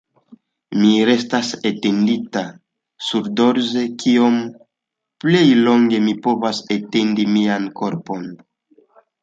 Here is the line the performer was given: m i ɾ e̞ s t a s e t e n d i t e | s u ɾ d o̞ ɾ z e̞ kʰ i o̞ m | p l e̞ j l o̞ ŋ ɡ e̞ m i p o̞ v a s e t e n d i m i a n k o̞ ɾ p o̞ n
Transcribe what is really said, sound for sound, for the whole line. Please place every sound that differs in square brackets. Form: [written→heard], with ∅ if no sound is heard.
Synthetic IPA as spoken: m i ɾ e̞ s t a s e t e n d i t [e→a] | s u ɾ d o̞ ɾ z e̞ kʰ i o̞ m | p l e̞ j l o̞ ŋ ɡ e̞ m i p o̞ v a s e t e n d i m i a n k o̞ ɾ p o̞ n